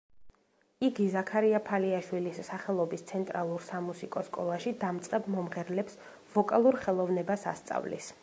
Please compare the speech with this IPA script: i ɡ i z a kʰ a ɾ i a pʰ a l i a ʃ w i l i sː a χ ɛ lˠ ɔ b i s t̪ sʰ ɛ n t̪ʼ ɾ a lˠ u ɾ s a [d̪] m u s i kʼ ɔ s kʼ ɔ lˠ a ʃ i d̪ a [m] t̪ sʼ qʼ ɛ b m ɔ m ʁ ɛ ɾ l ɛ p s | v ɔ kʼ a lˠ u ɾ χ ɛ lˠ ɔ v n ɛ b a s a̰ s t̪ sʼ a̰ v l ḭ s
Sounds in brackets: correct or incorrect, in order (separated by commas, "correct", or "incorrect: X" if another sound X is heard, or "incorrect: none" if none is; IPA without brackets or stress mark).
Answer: incorrect: none, correct